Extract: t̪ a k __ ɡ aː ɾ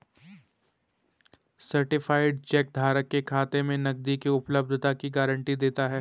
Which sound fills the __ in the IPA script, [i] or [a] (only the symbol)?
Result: i